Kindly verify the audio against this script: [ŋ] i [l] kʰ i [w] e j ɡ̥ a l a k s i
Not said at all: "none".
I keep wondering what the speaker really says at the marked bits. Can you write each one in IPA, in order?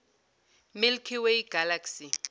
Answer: m, l, w

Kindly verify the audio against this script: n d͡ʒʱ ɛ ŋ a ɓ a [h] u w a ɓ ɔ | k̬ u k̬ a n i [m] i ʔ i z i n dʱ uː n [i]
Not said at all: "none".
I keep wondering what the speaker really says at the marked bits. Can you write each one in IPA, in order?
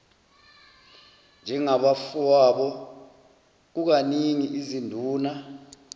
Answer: f, ŋ, a

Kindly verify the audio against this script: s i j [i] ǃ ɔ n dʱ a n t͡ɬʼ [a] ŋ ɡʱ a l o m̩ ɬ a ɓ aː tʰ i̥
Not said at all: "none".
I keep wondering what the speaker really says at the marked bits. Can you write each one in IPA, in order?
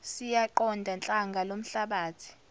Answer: a, a

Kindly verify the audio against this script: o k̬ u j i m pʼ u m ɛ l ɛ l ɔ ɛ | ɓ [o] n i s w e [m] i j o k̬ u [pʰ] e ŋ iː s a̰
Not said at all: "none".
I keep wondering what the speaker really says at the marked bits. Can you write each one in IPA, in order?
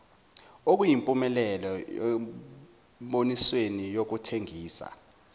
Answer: o, n, tʰ

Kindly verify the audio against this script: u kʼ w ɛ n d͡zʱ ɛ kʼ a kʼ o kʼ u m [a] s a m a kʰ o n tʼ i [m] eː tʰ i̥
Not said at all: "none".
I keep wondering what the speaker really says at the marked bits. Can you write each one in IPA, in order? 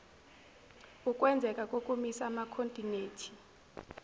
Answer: i, n

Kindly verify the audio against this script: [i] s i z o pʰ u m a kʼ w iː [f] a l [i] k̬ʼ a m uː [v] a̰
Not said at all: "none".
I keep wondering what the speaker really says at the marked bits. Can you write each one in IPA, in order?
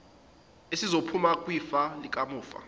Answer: e, f, i, f

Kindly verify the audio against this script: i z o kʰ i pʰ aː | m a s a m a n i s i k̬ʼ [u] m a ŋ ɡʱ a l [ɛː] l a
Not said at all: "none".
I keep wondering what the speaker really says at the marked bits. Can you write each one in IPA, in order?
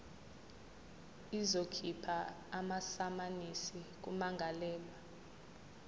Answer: u, ɛː

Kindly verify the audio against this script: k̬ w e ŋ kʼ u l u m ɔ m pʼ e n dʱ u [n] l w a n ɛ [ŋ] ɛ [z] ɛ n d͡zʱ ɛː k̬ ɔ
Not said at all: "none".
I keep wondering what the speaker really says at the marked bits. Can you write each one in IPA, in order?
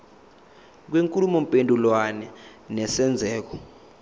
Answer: none, n, s

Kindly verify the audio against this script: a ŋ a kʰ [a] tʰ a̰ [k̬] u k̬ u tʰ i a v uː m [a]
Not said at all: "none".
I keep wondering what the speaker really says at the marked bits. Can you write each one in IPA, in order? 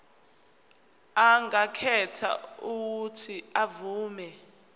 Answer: ɛ, none, ɛ

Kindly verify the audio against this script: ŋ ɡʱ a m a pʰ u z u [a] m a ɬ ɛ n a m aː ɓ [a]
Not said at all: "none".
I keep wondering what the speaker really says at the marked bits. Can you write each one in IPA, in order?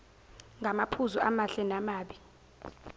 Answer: a, i

